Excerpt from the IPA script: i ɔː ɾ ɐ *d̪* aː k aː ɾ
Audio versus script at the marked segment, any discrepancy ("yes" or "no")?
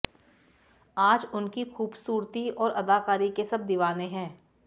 no